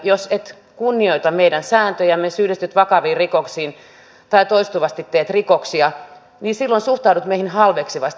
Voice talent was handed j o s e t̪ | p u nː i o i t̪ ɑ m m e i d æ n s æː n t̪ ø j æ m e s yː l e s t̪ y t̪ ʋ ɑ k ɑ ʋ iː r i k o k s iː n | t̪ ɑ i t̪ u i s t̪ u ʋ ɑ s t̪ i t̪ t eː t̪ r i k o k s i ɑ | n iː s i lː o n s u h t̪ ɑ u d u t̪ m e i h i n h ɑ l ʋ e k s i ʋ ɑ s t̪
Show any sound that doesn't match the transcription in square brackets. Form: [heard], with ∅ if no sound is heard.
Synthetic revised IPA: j o s e t̪ | [k] u nː i o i t̪ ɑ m m e i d æ n s æː n t̪ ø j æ m e s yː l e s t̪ y t̪ ʋ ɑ k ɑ ʋ iː r i k o k s iː n | t̪ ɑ i t̪ [o] i s t̪ u ʋ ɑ s t̪ i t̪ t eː t̪ r i k o k s i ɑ | n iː s i lː o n s u h t̪ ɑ u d u t̪ m e i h i n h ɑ l ʋ e k s i ʋ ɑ s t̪